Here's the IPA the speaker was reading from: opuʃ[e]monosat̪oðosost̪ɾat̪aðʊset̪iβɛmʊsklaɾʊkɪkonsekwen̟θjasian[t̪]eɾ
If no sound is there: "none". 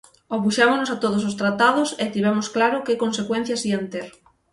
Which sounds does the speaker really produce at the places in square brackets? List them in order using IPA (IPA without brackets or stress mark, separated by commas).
a, t̪